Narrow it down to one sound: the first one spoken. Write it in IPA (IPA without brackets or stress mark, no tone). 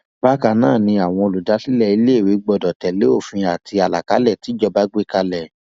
b